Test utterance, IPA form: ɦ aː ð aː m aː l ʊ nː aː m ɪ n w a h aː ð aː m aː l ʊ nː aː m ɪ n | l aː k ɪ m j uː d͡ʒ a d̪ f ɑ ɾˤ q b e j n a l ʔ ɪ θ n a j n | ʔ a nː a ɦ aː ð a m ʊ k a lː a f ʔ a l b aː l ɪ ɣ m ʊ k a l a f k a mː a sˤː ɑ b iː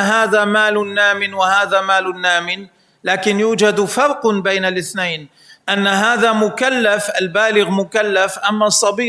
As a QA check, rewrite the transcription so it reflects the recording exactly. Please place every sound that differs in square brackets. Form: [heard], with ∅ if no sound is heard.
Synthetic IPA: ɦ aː ð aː m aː l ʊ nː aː m ɪ n w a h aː ð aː m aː l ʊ nː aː m ɪ n | l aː k ɪ [n] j uː d͡ʒ a d̪ f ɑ ɾˤ q b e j n a l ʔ ɪ θ n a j n | ʔ a nː a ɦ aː ð a m ʊ k a lː a f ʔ a l b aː l ɪ ɣ m ʊ k a [lː] a f [ʔ] a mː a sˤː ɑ b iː